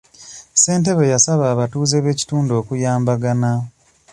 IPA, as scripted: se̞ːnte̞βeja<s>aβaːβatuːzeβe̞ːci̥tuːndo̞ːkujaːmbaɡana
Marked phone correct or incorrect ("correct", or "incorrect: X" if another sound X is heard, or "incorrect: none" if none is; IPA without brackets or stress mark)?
correct